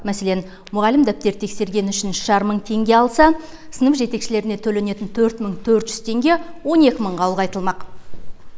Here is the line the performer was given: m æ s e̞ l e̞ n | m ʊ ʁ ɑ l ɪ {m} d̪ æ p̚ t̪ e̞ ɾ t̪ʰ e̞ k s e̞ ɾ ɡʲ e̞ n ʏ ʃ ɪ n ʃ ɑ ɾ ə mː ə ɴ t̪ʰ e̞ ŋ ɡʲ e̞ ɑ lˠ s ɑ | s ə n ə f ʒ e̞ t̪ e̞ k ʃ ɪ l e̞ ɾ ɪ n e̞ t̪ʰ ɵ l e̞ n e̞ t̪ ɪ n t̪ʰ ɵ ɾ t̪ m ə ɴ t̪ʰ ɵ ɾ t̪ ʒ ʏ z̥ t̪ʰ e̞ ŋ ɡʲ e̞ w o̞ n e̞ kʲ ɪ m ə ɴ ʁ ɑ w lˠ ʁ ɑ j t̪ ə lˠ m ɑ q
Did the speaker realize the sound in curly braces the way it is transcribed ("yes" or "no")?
yes